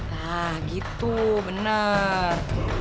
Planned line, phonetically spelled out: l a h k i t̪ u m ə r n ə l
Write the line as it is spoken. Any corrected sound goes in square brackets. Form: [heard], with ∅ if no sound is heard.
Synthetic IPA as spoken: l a h [ɡ] i t̪ u [b] ə [∅] n ə [r]